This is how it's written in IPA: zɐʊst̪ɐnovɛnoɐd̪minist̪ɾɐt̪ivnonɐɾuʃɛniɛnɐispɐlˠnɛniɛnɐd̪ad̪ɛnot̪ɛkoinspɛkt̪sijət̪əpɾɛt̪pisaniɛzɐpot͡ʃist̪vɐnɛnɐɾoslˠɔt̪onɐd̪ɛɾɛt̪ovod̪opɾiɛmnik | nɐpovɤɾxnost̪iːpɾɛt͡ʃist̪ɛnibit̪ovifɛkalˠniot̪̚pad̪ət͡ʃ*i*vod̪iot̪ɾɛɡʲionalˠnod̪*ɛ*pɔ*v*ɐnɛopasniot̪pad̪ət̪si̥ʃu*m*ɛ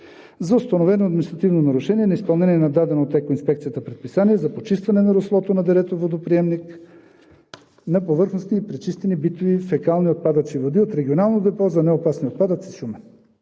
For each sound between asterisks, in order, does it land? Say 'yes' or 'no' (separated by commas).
yes, yes, no, yes